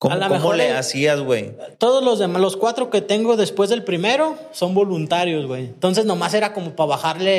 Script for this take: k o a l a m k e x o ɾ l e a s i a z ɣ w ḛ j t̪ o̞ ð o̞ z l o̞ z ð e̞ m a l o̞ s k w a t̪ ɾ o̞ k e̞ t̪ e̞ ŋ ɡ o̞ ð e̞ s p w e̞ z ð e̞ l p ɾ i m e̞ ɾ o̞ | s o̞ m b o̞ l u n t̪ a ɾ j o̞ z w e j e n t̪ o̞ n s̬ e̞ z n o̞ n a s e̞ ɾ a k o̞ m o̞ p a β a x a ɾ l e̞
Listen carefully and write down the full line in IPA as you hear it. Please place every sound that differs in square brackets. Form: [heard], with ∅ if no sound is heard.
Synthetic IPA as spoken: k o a l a m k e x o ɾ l e a s i a z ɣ w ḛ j t̪ o̞ ð o̞ z l o̞ z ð e̞ m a l o̞ s k w a t̪ ɾ o̞ k e̞ t̪ e̞ ŋ ɡ o̞ ð e̞ s p w e̞ z ð e̞ l p ɾ i m e̞ ɾ o̞ | s o̞ m b o̞ l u n t̪ a ɾ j o̞ z w e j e n t̪ o̞ n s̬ e̞ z n o̞ [m] a s e̞ ɾ a k o̞ m o̞ p a β a x a ɾ l e̞